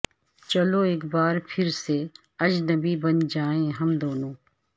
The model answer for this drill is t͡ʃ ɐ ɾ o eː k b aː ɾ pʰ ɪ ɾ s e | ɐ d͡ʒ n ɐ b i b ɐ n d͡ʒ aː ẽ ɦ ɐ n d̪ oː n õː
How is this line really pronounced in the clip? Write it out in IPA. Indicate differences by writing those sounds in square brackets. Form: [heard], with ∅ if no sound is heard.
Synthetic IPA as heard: t͡ʃ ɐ [l] o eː k b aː ɾ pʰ ɪ ɾ s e | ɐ d͡ʒ n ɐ b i b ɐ n d͡ʒ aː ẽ ɦ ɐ [m] d̪ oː n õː